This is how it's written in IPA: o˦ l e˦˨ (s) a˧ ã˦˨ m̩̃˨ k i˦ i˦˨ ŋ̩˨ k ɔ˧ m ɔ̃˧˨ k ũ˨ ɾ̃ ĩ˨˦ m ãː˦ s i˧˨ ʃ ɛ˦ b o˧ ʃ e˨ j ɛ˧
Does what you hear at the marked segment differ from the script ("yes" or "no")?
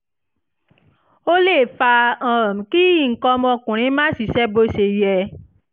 yes